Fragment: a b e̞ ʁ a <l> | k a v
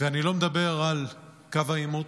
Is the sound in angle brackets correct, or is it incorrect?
correct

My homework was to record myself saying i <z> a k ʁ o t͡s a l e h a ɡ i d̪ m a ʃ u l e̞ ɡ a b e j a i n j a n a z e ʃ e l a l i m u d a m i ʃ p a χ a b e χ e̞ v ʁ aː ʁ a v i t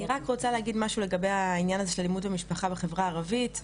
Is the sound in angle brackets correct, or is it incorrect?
incorrect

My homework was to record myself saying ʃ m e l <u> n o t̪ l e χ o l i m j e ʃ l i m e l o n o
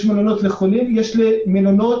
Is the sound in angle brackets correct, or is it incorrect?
incorrect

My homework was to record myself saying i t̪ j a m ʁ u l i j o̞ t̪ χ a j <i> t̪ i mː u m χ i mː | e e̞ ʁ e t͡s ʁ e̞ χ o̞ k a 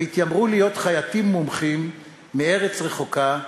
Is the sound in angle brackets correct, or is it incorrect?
incorrect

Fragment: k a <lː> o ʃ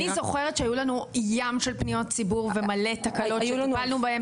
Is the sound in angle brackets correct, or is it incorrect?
incorrect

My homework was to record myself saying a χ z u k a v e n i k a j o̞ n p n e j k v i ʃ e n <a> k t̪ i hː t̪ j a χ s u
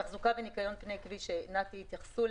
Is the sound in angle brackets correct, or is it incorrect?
correct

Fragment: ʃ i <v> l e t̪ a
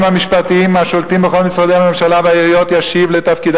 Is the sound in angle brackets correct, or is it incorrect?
correct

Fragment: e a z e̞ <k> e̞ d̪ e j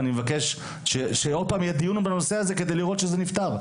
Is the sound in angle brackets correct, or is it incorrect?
correct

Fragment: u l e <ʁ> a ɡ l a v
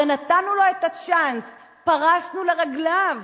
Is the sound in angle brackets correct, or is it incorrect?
correct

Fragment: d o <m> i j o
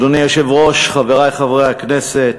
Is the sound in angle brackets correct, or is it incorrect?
incorrect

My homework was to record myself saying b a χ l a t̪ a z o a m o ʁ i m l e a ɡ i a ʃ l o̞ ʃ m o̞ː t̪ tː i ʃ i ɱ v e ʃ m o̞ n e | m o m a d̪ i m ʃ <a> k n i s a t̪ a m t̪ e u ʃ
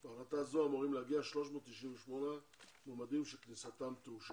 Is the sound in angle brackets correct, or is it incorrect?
incorrect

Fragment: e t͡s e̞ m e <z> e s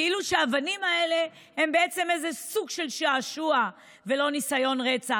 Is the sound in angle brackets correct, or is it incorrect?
correct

